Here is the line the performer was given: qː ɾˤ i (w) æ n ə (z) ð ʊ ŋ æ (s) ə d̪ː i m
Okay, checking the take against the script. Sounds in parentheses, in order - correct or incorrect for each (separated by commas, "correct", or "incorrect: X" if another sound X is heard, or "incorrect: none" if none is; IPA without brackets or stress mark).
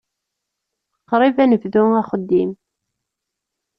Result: incorrect: v, incorrect: v, incorrect: χ